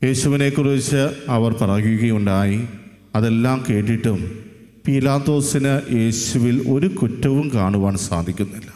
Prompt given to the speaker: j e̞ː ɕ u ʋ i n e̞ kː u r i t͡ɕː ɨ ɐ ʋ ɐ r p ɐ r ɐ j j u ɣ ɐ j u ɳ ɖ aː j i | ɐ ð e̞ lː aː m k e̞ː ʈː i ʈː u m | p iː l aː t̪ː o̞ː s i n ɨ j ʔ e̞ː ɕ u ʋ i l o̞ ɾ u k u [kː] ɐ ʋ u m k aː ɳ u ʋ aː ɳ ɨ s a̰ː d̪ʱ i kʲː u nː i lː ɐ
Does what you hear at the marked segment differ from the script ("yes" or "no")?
yes